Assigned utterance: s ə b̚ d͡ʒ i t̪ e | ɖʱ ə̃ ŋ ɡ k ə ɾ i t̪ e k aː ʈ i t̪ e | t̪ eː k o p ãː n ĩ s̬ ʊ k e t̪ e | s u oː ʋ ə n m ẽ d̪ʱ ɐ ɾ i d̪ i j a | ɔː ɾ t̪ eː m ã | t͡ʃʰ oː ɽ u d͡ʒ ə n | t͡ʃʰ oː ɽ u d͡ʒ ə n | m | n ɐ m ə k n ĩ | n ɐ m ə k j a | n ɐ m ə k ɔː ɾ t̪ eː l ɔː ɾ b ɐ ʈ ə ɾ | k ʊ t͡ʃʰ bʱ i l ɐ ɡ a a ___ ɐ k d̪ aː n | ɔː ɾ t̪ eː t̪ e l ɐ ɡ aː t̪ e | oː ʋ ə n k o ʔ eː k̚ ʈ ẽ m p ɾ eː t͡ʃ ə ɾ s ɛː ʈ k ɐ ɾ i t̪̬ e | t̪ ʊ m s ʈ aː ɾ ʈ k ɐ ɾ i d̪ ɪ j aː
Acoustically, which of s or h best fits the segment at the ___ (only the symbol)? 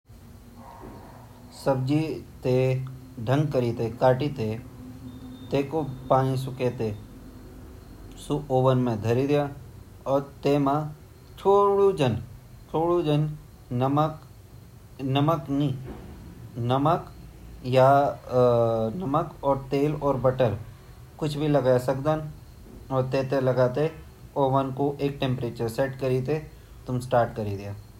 s